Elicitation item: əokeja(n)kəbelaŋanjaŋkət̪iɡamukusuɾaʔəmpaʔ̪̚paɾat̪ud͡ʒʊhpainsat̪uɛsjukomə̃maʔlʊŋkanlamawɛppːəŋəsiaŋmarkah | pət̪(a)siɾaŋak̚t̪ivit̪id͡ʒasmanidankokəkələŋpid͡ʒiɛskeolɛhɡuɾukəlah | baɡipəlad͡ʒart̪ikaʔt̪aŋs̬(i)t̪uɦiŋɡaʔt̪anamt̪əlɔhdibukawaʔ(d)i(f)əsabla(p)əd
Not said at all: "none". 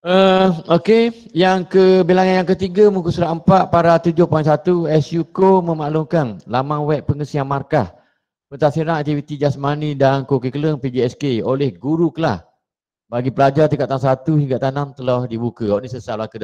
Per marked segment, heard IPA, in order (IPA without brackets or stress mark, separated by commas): ŋ, a, a, n, s, k